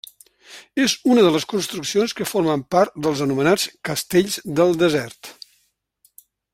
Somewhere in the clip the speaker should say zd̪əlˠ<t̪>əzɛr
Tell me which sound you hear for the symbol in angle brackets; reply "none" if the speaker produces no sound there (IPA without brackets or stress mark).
d̪